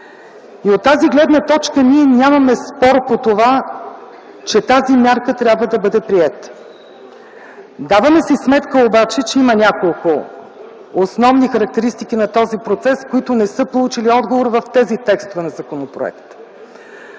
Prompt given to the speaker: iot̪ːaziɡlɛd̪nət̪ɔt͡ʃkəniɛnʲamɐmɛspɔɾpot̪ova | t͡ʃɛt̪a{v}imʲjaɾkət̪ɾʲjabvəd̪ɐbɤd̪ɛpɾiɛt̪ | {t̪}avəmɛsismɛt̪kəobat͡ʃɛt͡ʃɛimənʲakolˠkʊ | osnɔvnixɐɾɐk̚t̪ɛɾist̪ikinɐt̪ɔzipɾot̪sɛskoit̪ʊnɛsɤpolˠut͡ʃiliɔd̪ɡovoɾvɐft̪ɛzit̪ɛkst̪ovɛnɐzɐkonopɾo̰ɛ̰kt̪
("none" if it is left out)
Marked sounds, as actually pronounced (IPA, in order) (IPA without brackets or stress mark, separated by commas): z, d̪